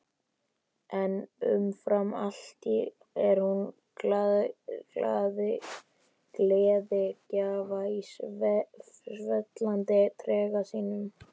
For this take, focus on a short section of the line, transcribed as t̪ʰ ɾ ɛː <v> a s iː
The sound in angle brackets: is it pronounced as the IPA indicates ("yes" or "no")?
no